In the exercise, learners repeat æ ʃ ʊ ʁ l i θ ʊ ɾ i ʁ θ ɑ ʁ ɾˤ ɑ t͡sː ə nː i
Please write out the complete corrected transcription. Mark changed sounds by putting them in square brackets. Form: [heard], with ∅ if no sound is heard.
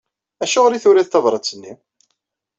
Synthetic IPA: æ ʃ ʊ ʁ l i θ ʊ ɾ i [ð] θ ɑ [v] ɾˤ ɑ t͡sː ə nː i